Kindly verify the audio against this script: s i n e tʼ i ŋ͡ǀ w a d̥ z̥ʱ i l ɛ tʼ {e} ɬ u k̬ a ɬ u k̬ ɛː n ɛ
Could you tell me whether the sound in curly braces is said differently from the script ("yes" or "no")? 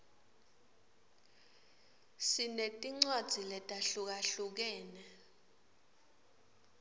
yes